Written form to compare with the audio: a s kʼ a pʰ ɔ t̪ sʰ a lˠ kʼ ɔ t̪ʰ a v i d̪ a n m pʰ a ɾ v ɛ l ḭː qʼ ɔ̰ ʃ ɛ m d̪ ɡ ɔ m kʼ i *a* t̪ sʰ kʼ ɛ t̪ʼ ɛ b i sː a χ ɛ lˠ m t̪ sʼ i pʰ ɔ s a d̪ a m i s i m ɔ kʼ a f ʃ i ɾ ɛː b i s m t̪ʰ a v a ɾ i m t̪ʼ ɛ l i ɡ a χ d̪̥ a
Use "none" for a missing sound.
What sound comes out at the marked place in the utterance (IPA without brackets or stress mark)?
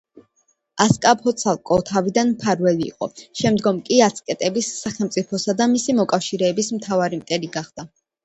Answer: a